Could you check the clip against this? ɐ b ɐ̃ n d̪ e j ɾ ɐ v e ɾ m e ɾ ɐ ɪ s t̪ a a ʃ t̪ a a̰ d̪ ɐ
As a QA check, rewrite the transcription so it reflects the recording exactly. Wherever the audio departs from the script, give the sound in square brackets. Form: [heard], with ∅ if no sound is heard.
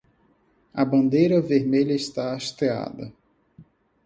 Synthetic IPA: ɐ b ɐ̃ n d̪ e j ɾ ɐ v e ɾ m e [ʎ] ɐ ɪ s t̪ a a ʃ t̪ [e] a̰ d̪ ɐ